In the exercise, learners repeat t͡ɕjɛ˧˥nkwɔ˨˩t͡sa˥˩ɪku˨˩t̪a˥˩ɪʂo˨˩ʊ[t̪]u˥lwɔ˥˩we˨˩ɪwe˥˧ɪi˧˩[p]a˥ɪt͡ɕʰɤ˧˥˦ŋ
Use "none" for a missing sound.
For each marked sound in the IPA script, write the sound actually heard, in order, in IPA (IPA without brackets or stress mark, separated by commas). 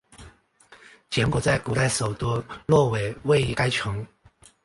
t̪, k